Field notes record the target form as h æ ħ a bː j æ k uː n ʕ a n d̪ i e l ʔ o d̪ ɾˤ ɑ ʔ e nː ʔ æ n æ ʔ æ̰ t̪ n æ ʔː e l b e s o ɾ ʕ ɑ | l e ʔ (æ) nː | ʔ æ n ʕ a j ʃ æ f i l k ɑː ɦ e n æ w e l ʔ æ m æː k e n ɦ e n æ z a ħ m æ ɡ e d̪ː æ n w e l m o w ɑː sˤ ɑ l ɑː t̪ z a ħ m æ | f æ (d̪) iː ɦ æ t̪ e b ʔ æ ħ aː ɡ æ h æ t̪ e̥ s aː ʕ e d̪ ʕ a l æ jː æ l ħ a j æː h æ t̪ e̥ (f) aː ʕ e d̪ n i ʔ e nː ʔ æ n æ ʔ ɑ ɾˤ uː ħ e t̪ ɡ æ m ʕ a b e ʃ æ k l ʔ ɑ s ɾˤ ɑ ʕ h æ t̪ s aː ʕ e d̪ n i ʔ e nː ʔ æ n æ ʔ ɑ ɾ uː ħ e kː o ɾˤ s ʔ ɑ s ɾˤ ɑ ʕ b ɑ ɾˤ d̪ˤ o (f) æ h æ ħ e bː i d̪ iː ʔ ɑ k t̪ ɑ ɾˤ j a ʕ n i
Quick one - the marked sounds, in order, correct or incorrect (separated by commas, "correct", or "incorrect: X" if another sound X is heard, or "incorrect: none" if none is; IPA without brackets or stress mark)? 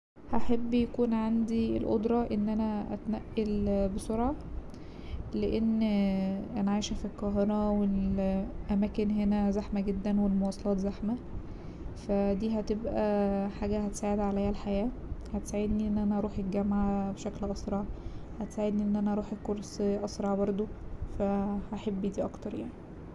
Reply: incorrect: e, correct, incorrect: s, correct